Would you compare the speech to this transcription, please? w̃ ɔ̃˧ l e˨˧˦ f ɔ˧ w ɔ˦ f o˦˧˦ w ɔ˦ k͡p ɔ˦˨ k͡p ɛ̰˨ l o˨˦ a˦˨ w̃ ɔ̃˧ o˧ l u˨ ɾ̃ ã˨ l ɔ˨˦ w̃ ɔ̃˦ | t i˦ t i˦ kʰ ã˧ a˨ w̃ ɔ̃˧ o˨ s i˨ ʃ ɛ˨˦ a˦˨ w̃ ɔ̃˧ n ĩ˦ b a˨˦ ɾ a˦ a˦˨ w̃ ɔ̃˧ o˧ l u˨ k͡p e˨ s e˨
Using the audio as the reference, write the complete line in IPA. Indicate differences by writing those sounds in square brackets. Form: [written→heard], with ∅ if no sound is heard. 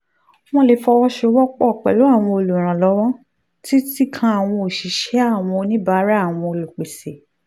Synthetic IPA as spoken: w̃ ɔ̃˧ l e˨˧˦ f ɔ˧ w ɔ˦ [f→ʃ] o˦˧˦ w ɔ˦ k͡p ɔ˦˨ k͡p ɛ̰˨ l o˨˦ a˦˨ w̃ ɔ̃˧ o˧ l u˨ ɾ̃ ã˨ l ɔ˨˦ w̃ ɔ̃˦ | t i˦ t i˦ kʰ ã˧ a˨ w̃ ɔ̃˧ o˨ [s→ʃ] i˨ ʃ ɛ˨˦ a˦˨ w̃ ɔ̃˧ n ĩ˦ b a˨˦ ɾ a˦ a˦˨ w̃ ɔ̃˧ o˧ l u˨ k͡p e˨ s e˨